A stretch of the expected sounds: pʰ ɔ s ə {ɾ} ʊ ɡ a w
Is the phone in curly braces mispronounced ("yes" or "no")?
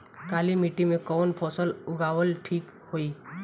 yes